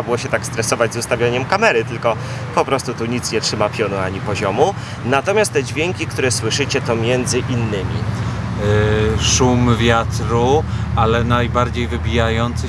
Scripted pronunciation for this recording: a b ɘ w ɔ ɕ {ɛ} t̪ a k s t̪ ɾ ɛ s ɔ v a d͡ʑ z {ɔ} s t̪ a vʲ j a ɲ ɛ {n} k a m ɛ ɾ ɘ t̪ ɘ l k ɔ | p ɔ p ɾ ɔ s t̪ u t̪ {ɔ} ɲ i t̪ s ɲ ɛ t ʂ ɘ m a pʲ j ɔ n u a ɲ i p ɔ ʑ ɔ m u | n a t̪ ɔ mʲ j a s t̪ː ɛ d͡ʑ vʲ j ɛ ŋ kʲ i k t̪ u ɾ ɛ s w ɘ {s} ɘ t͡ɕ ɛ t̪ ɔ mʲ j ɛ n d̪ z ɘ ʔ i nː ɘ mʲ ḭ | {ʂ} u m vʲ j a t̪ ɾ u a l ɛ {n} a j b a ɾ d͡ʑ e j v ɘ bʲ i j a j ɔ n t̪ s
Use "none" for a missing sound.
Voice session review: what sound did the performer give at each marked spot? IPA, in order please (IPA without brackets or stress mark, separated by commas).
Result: ɛ, u, m, u, ʂ, ʂ, n